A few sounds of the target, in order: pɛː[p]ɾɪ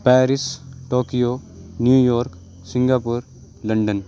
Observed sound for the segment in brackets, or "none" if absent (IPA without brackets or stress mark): none